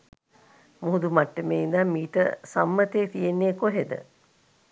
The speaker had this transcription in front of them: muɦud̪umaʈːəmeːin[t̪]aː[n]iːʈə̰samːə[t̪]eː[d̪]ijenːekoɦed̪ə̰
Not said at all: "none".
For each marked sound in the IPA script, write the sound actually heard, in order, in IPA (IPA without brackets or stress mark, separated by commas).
d̪, m, t̪, t̪